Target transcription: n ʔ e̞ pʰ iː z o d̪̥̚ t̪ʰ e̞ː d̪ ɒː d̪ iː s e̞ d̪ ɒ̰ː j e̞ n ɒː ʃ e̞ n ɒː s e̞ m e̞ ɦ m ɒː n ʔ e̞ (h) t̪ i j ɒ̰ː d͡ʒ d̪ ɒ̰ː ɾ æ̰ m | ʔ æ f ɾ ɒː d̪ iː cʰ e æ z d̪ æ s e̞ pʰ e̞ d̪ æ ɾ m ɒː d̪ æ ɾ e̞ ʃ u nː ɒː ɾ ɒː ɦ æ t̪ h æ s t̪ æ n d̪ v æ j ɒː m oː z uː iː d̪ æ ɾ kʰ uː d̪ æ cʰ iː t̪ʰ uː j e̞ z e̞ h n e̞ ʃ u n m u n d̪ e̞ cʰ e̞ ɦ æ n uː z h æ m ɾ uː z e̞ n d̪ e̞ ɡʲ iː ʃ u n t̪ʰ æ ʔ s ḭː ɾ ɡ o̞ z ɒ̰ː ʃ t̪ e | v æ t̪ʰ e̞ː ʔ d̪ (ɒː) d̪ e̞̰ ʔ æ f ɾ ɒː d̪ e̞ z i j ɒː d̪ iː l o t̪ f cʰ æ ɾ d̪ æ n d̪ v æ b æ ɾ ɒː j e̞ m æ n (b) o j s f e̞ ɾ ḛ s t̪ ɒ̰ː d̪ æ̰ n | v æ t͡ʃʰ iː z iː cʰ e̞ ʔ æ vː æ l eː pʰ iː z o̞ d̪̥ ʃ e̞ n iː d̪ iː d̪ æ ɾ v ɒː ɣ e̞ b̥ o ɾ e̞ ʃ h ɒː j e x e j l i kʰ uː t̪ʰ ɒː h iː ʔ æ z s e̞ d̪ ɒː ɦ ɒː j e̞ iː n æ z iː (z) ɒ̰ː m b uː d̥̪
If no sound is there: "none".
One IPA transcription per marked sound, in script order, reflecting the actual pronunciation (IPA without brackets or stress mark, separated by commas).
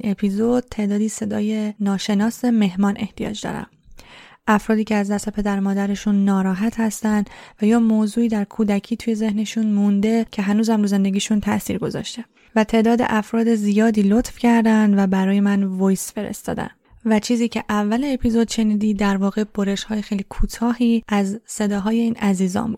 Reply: h, ɒː, v, z